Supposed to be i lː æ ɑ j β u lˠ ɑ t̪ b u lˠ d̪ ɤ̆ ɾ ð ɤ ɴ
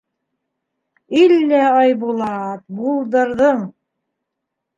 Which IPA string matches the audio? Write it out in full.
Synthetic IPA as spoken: i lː æ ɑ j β u lˠ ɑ t̪ b u lˠ d̪ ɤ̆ ɾ ð ɤ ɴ